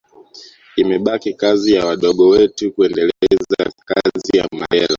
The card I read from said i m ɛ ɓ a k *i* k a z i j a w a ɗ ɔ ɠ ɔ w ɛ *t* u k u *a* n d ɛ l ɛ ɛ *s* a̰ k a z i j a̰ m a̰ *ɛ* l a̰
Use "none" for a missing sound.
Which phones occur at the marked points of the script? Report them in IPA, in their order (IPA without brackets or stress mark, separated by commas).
i, t, ɛ, z, ɛ